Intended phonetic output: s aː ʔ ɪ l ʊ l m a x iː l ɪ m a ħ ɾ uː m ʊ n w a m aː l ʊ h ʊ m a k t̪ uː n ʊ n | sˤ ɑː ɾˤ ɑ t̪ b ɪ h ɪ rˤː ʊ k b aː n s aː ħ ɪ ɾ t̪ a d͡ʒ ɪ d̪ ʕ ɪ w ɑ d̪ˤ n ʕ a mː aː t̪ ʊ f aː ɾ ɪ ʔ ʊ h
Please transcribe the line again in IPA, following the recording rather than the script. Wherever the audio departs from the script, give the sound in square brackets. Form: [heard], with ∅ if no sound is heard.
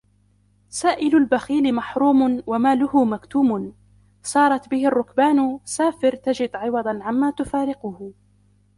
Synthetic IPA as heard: s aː ʔ ɪ l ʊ l [b] a x iː l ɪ m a ħ ɾ uː m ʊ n w a m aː l ʊ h ʊ m a k t̪ uː [m] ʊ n | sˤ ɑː ɾˤ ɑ t̪ b ɪ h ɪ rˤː ʊ k b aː n s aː [f] ɪ ɾ t̪ a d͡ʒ ɪ d̪ ʕ ɪ w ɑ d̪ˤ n ʕ a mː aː t̪ ʊ f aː ɾ ɪ [q] ʊ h